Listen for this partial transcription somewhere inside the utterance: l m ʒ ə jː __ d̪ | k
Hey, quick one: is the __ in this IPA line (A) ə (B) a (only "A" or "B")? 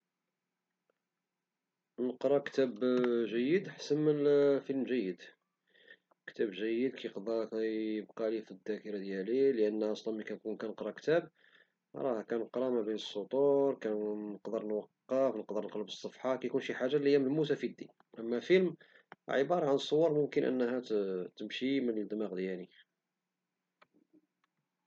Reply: A